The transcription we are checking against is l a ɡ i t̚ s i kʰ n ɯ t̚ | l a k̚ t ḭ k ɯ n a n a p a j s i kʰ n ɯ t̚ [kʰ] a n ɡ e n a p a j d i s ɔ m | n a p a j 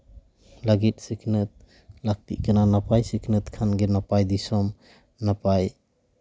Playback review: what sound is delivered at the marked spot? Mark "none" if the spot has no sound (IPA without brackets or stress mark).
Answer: kʰ